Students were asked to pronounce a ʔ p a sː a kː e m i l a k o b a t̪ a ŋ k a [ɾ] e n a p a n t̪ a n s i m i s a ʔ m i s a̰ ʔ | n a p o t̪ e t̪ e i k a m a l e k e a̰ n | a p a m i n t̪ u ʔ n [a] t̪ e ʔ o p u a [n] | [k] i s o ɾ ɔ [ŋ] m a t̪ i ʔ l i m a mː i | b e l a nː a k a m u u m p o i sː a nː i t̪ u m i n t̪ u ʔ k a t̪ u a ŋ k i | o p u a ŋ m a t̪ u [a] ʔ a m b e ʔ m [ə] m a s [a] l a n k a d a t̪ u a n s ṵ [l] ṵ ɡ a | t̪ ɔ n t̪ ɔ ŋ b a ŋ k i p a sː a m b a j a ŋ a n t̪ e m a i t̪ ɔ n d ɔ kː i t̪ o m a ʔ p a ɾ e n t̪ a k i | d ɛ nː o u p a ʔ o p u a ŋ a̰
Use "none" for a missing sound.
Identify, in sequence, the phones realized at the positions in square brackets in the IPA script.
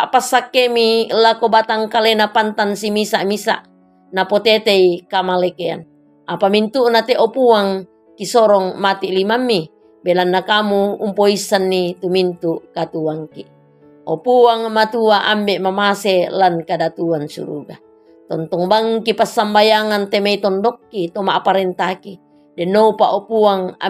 l, a, ŋ, k, ŋ, a, a, e, ɾ

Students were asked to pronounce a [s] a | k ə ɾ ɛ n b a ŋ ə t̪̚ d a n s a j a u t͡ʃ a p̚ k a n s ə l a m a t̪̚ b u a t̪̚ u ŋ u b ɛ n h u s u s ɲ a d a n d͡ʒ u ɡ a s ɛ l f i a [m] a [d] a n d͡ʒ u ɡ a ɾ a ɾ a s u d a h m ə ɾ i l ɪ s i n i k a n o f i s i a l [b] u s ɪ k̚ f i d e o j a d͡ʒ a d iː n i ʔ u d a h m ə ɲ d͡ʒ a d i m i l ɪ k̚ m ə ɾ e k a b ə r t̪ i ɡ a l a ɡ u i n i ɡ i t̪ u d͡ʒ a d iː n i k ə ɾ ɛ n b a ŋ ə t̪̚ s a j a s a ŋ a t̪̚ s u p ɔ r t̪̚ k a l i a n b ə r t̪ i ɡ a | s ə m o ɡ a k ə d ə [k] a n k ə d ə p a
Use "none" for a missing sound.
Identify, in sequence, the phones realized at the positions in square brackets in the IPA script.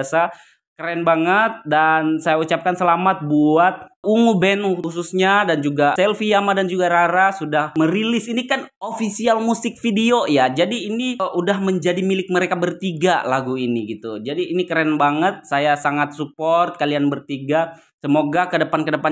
s, m, d, m, p

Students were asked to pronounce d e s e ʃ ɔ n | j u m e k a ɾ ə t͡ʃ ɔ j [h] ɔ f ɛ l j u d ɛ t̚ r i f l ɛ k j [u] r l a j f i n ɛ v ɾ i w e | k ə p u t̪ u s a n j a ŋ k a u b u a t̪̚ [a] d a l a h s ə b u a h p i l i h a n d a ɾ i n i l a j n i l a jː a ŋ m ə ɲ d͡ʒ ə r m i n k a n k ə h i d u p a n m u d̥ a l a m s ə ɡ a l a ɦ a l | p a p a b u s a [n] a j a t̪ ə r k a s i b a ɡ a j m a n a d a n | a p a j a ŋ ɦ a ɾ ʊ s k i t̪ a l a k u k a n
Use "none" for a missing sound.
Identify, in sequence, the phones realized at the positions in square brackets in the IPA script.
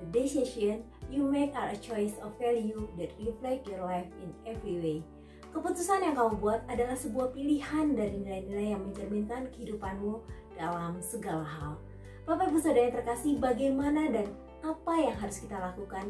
s, ɔ, a, d

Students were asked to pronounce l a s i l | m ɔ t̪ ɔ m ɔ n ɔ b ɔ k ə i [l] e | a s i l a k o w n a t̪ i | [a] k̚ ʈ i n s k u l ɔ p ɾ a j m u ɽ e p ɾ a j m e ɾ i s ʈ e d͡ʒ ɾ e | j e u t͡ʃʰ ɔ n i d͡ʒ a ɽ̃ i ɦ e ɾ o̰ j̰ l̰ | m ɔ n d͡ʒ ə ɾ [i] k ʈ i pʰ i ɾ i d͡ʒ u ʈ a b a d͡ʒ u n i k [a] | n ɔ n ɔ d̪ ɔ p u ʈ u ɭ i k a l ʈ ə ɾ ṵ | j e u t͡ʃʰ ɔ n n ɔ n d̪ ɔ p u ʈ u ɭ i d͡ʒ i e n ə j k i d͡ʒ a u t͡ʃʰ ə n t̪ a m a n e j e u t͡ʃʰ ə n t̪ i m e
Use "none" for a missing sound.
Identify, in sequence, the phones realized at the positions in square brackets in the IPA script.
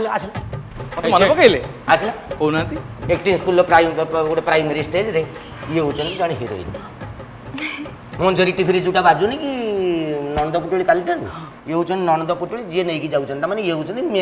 l, e, i, i

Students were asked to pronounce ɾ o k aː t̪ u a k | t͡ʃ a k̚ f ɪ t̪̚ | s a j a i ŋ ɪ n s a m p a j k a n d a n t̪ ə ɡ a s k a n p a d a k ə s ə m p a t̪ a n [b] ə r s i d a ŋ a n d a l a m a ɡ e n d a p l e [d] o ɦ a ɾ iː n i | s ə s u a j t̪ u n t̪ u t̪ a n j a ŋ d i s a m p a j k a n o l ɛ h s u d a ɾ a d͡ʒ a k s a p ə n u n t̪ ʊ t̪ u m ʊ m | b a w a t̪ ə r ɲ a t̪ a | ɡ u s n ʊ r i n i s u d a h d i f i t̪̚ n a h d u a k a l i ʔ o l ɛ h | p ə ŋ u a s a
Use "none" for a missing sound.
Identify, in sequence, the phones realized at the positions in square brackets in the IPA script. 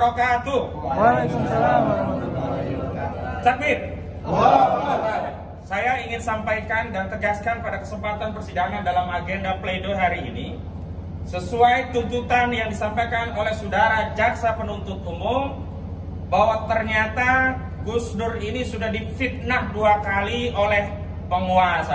p, d

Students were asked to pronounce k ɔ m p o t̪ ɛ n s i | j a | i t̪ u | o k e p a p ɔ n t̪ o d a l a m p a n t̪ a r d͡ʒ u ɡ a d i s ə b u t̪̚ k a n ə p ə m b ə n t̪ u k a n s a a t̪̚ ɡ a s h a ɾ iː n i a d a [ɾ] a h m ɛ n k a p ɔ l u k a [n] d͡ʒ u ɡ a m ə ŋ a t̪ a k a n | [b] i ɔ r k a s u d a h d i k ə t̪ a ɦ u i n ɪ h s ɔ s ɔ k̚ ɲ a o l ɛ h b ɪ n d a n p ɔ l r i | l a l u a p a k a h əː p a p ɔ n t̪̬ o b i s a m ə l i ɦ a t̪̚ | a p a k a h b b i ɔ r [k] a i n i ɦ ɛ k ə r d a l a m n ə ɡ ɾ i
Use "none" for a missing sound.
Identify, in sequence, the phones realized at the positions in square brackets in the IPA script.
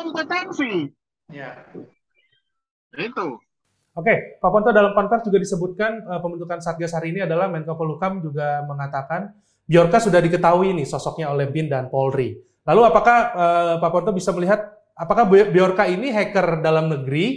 l, m, b, k

